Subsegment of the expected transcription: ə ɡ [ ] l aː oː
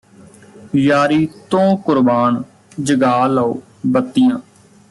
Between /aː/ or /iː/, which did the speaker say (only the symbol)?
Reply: aː